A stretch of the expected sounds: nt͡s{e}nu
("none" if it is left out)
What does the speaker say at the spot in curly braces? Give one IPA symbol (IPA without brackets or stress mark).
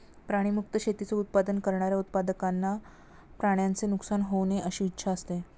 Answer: e